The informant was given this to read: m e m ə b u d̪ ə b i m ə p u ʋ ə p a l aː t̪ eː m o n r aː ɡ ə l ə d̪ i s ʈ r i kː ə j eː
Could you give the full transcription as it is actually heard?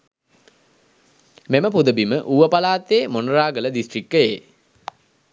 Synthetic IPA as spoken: m e m ə p u d̪ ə b i m ə ʔ u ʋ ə p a l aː t̪ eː m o n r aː ɡ ə l ə d̪ i s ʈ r i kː ə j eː